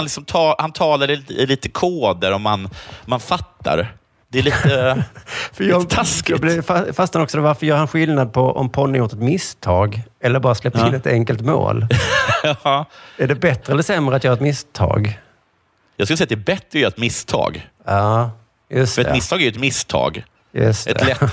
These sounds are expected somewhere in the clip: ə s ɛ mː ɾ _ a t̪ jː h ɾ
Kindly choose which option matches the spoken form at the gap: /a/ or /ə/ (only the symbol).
ə